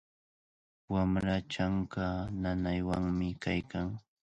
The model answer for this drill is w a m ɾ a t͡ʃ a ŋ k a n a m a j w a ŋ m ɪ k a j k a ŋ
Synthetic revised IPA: w a m ɾ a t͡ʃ a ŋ k a n a n a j w a ŋ m ɪ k a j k a ŋ